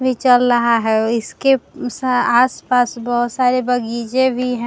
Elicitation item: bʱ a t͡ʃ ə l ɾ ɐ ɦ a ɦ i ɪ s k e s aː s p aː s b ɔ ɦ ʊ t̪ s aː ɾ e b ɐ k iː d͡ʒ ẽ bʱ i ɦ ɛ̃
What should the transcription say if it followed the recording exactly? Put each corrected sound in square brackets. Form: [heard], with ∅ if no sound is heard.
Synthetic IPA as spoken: bʱ [i] t͡ʃ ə l ɾ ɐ ɦ a ɦ [ɛ] ɪ s k e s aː s p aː s b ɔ ɦ ʊ t̪ s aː ɾ e b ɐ [ɡ] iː d͡ʒ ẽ bʱ i ɦ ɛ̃